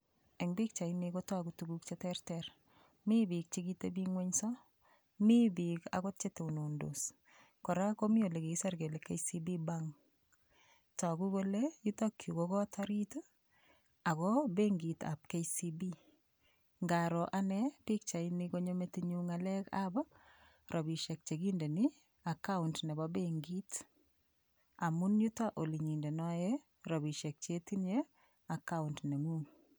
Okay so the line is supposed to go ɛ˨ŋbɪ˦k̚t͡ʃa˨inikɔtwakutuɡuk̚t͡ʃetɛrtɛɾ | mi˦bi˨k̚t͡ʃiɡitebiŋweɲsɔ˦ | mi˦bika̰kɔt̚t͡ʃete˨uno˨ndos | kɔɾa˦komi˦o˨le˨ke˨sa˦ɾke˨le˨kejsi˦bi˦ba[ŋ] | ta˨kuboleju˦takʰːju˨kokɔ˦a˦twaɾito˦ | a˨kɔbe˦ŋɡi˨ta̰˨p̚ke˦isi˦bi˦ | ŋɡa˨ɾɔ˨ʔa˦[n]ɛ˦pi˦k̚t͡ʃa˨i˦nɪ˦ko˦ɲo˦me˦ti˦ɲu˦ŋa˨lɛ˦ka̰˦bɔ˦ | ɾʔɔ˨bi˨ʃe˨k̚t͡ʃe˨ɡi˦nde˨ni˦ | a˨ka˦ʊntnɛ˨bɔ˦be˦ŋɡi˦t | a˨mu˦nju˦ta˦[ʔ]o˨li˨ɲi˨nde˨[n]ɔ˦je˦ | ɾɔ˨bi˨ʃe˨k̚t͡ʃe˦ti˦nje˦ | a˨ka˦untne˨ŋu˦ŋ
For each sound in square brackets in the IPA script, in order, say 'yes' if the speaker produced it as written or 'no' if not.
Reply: yes, yes, yes, yes

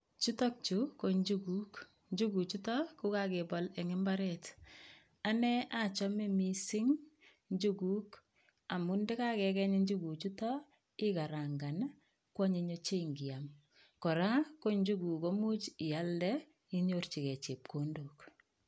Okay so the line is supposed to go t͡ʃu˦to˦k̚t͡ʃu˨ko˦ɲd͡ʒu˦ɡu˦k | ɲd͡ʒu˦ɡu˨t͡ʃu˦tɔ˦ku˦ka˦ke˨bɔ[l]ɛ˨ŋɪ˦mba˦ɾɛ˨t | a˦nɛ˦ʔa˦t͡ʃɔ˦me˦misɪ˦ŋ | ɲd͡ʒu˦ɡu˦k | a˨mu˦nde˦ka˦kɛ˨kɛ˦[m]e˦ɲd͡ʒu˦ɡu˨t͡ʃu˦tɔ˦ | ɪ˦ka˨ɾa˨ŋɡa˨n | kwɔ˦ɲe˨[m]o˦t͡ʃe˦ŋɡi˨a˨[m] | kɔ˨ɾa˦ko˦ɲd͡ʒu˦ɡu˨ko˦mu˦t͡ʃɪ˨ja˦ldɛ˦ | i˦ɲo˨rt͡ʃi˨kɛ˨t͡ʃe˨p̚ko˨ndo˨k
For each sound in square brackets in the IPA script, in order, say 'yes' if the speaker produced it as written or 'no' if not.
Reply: yes, no, no, yes

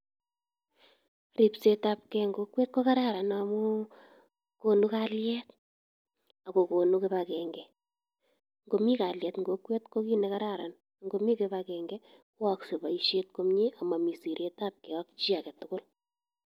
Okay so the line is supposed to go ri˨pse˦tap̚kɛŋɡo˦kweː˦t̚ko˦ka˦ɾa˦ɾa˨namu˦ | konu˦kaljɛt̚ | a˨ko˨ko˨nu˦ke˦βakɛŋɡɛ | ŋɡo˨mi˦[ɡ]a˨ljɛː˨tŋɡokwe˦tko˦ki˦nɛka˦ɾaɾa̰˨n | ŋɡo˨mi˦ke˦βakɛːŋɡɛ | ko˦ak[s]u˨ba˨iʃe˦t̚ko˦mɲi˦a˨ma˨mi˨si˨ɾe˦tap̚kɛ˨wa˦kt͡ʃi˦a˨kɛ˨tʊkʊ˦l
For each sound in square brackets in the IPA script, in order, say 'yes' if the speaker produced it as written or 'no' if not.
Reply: no, yes

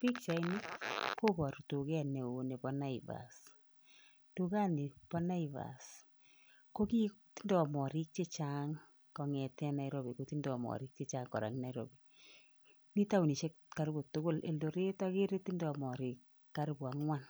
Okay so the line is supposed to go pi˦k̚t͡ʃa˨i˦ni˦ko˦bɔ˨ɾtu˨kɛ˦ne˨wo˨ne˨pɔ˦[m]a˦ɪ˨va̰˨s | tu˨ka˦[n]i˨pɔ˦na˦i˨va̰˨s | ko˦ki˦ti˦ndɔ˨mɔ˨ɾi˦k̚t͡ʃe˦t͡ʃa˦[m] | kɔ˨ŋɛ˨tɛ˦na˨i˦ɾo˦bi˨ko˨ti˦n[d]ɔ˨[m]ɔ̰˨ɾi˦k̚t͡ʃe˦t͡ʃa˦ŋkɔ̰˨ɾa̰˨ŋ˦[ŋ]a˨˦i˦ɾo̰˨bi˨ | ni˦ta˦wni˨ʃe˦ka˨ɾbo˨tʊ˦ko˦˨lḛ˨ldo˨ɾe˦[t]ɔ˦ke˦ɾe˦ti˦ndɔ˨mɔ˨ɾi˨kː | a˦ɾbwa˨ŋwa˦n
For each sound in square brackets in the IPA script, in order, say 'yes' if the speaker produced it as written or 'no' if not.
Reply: no, yes, no, yes, yes, no, yes

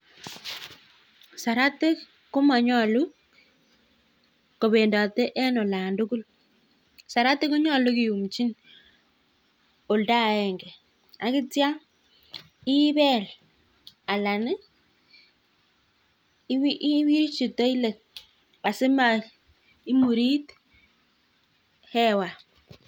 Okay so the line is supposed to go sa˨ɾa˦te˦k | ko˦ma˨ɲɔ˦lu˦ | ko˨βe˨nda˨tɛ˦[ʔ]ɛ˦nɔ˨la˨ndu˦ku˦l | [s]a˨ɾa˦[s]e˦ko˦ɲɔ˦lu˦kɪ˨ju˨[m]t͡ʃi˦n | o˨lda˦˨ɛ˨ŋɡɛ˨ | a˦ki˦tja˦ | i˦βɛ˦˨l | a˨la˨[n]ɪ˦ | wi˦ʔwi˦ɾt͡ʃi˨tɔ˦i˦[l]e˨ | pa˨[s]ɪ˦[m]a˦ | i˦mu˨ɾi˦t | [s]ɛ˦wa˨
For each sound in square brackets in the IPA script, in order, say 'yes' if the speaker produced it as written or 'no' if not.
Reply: yes, yes, no, yes, yes, yes, yes, yes, no

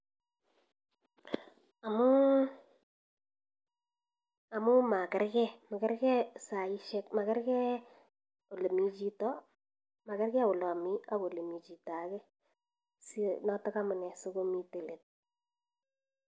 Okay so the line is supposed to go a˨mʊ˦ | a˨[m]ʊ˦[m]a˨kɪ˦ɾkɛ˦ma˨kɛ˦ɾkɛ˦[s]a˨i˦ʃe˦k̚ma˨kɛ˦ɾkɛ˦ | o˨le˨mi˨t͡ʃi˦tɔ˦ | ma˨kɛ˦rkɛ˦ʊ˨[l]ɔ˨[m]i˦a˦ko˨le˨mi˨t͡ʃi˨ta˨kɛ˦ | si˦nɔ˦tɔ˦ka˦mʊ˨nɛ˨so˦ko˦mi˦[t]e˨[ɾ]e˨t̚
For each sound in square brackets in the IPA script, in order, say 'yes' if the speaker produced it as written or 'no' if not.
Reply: yes, yes, yes, yes, yes, yes, no

